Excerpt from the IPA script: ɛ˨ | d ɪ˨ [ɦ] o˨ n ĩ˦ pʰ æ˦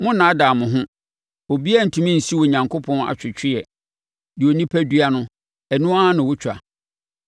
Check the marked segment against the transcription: incorrect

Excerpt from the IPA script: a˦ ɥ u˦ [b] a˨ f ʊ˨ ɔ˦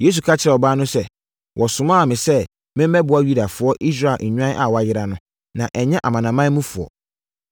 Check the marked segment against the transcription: incorrect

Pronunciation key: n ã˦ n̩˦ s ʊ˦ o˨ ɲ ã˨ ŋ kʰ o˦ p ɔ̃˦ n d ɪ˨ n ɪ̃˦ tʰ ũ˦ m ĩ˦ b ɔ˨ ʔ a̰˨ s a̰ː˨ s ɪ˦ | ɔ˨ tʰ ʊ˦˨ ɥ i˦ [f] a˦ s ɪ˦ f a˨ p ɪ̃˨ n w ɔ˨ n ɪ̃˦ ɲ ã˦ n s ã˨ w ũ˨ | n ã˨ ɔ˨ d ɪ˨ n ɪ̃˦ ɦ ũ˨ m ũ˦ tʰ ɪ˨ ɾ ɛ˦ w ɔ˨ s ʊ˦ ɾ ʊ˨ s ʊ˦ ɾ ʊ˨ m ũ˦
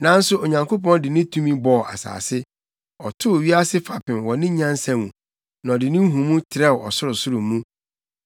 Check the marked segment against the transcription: incorrect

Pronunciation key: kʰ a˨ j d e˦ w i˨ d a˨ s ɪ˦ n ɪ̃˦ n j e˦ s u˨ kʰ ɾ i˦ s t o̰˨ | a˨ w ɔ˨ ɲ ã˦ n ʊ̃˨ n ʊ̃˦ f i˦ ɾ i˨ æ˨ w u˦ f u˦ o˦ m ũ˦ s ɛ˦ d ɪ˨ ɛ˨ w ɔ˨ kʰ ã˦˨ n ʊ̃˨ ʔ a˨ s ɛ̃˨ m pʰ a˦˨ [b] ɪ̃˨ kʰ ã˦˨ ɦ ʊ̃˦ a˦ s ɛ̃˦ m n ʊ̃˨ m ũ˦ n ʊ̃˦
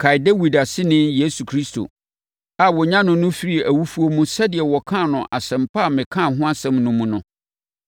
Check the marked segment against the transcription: incorrect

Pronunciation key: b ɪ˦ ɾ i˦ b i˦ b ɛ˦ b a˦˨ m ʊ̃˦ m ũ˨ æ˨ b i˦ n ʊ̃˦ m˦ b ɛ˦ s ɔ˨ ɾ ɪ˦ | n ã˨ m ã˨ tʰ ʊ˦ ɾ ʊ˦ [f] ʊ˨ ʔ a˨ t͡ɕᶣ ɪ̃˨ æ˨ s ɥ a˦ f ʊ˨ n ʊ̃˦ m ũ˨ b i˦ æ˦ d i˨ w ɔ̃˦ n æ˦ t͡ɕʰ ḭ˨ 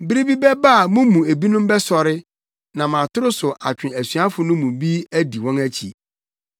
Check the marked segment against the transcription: incorrect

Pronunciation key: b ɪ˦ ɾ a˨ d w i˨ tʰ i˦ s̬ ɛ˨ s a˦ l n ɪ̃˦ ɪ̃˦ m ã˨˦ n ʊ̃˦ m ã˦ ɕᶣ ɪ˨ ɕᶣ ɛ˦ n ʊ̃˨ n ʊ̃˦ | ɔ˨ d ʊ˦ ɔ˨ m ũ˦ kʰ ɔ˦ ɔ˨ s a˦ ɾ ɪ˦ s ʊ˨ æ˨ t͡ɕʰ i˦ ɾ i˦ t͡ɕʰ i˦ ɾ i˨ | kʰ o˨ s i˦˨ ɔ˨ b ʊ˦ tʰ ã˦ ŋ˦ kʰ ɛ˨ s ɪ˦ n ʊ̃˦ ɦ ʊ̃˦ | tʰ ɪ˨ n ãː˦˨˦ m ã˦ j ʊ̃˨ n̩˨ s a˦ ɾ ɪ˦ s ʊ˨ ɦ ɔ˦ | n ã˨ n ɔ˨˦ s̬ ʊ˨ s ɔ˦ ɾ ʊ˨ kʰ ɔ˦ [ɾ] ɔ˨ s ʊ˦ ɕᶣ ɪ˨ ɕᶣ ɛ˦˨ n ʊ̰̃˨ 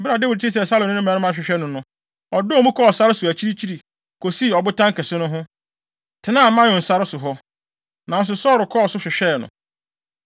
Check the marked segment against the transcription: incorrect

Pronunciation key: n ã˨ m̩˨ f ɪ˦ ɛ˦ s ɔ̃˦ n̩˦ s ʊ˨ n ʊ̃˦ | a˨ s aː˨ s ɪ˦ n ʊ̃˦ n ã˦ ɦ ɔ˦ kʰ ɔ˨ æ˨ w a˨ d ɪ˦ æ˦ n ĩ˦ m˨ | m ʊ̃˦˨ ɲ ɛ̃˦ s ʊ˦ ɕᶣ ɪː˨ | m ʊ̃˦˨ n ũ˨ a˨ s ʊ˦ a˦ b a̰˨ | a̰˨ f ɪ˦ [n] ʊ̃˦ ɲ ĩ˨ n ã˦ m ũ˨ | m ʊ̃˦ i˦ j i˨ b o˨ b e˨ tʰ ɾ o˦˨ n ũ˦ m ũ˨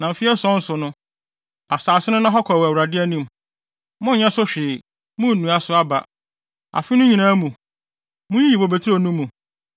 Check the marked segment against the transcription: correct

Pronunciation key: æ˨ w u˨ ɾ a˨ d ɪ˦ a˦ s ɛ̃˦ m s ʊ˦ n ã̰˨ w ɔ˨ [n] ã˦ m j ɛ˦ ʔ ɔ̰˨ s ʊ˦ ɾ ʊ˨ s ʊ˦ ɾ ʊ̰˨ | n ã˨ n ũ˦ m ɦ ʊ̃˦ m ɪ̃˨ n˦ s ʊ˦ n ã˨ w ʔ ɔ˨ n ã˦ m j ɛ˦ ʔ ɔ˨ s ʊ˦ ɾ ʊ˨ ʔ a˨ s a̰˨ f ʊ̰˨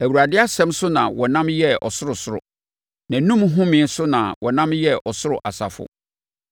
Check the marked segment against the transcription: correct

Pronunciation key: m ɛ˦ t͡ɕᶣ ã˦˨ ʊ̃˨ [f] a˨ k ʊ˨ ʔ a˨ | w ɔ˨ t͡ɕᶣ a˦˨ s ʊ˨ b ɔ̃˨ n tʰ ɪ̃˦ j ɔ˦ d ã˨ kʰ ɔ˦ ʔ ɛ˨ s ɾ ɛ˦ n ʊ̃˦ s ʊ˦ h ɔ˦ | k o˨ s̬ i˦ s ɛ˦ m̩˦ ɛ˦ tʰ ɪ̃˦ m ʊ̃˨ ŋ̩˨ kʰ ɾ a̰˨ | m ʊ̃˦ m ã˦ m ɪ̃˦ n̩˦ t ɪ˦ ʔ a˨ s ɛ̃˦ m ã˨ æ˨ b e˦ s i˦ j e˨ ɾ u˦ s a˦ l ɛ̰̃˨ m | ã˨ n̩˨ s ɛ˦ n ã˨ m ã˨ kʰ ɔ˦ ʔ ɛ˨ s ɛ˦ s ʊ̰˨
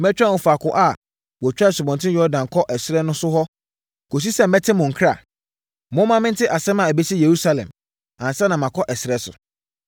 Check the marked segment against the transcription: correct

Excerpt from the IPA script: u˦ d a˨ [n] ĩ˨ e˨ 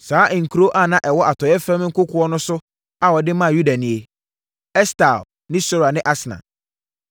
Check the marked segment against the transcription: correct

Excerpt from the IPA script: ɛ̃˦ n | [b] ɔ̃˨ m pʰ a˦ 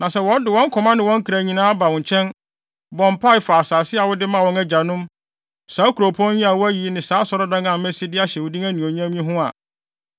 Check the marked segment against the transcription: correct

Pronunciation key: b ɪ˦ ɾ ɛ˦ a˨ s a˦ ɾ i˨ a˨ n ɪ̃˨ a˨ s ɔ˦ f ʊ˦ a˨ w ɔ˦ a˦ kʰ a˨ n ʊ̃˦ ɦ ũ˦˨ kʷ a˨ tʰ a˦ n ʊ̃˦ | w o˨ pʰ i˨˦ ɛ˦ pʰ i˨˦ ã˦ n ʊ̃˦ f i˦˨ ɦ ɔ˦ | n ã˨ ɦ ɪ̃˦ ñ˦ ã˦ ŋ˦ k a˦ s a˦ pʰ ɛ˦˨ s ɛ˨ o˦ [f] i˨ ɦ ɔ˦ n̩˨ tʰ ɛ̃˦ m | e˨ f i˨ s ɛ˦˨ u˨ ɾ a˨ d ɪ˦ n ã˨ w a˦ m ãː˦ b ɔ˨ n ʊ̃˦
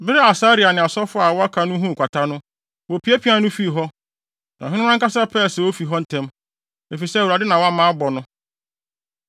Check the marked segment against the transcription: correct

